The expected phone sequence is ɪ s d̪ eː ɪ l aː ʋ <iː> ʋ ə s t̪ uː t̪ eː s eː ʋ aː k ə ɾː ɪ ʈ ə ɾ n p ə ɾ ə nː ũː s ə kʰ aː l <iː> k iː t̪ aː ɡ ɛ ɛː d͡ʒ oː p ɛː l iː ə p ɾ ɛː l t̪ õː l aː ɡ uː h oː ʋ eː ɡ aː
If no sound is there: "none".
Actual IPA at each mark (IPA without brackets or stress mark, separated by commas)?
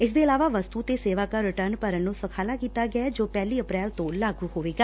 aː, aː